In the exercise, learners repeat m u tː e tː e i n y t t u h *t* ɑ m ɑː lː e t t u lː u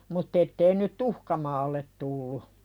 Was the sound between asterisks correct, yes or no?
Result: no